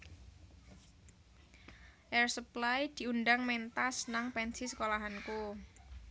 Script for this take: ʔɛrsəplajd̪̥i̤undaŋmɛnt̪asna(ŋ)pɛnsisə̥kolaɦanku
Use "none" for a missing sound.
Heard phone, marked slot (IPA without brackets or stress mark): ŋ